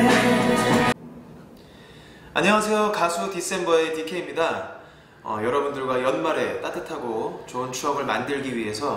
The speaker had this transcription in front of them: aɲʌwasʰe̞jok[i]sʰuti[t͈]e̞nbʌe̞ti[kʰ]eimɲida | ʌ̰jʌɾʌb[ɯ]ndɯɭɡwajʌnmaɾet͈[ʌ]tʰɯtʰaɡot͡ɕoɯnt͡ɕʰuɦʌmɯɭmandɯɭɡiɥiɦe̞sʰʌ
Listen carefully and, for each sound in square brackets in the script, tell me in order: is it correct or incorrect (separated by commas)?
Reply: incorrect, incorrect, correct, incorrect, incorrect